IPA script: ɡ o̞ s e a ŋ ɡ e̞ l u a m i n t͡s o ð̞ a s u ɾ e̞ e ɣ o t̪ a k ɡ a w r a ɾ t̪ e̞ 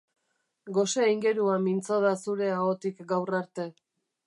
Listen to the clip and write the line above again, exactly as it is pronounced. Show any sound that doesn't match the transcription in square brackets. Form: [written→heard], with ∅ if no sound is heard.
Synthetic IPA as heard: ɡ o̞ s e [a→i] ŋ ɡ e̞ [l→ɾ] u a m i n t͡s o ð̞ a s u ɾ e̞ [e→a] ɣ o t̪ [a→i] k ɡ a w r a ɾ t̪ e̞